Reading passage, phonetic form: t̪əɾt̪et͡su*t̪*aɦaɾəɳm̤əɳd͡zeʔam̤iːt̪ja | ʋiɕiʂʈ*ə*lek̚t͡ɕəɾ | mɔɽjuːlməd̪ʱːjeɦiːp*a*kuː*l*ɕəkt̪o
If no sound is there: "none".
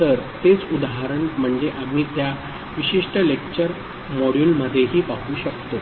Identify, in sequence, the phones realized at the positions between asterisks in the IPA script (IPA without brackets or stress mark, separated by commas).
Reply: d̪, ə, a, none